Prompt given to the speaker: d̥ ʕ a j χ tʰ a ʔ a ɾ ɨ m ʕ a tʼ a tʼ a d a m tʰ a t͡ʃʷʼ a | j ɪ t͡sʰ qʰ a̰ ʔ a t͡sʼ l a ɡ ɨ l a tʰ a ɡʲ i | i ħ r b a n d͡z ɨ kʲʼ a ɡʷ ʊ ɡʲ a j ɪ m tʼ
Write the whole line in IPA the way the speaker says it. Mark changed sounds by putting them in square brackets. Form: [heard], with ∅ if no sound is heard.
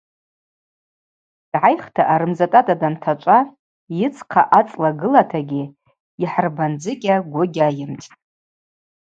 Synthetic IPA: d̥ ʕ a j χ tʰ a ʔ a ɾ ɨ m [z] a tʼ a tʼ a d a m tʰ a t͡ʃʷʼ a | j ɪ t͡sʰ qʰ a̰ ʔ a t͡sʼ l a ɡ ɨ l a tʰ a ɡʲ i | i ħ r b a n d͡z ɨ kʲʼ a ɡʷ ʊ ɡʲ a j ɪ m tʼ